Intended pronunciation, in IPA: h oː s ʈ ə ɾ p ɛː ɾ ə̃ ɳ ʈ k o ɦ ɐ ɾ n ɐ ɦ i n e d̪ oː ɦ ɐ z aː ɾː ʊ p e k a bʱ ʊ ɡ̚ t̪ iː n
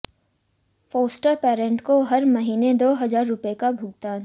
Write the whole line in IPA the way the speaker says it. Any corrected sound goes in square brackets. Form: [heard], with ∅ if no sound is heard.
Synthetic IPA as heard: [f] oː s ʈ ə ɾ p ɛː ɾ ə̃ ɳ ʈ k o ɦ ɐ ɾ [m] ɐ ɦ [iː] n e d̪ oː ɦ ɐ z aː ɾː ʊ p e k a bʱ ʊ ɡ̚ t̪ [aː] n